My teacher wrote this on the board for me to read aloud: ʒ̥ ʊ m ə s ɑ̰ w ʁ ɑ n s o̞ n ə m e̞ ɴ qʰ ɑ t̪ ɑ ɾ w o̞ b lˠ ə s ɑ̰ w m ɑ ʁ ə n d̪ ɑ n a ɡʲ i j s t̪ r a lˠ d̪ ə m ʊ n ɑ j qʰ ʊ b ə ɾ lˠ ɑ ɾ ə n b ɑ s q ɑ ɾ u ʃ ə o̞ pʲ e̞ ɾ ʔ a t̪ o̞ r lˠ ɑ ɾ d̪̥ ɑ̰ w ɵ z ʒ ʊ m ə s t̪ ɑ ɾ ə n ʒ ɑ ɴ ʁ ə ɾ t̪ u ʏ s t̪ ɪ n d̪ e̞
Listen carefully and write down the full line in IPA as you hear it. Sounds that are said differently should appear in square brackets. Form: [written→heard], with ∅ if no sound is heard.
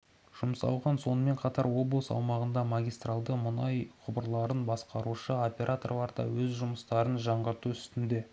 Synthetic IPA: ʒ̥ ʊ m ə s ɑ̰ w ʁ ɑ n s o̞ n ə m e̞ ɴ qʰ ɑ t̪ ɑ ɾ w o̞ b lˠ ə s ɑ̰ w m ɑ ʁ ə n d̪ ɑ [n→m] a ɡʲ i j s t̪ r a lˠ d̪ ə m ʊ n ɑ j qʰ ʊ b ə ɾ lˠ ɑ ɾ ə n b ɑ s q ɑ ɾ u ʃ ə o̞ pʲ e̞ ɾ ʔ a t̪ o̞ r lˠ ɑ ɾ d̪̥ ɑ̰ w ɵ z ʒ ʊ m ə s t̪ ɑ ɾ ə n ʒ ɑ ɴ ʁ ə ɾ t̪ u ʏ s t̪ ɪ n d̪ e̞